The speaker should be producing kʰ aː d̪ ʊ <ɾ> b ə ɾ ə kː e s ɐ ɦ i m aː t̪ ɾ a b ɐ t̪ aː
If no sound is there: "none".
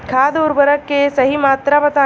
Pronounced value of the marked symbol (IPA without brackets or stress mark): ɾ